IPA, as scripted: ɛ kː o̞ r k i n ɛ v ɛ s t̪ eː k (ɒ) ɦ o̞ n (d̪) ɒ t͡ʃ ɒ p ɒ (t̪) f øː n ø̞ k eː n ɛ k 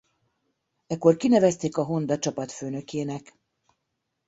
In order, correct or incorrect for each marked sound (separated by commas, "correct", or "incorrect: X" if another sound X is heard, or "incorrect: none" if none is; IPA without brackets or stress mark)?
correct, correct, correct